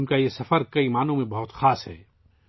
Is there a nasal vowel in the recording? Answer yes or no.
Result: yes